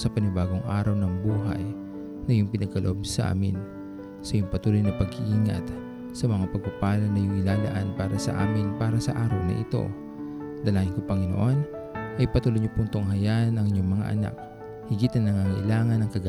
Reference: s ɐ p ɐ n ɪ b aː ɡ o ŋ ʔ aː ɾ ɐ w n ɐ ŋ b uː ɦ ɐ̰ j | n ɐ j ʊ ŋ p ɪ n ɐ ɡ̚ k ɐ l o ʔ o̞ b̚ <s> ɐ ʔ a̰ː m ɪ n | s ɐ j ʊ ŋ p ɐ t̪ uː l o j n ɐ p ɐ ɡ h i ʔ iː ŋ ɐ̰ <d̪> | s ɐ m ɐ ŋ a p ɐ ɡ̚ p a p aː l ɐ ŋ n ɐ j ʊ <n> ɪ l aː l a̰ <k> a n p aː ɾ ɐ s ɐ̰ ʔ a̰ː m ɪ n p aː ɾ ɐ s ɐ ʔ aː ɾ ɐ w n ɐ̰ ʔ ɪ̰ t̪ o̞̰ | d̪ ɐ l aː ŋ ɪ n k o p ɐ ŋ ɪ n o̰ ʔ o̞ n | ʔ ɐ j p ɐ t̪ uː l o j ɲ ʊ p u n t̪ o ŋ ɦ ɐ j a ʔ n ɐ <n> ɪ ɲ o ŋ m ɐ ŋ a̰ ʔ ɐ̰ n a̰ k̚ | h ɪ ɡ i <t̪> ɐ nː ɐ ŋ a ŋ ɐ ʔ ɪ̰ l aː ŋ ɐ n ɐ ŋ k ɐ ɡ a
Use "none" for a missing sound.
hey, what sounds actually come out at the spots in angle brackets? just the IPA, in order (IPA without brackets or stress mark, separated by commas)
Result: s, t̪, ŋ, ʔ, ŋ, t̪